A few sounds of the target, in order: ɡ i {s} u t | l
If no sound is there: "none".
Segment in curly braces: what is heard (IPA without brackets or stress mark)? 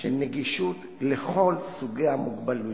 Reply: ʃ